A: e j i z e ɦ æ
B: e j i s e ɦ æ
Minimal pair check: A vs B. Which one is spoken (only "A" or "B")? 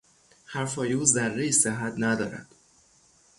B